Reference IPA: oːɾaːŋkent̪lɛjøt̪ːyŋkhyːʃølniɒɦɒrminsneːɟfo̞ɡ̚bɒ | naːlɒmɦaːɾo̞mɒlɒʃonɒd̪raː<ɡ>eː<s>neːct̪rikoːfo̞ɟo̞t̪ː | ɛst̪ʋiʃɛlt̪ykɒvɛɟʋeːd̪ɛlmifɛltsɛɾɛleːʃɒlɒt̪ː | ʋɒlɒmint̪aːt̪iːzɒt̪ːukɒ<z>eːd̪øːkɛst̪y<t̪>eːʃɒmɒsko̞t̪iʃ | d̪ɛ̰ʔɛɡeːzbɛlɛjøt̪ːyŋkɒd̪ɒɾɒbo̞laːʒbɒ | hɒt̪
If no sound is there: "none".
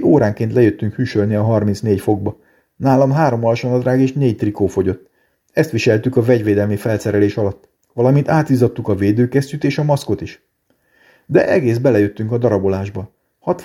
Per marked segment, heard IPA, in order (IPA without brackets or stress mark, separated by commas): ɡ, ʃ, v, t̪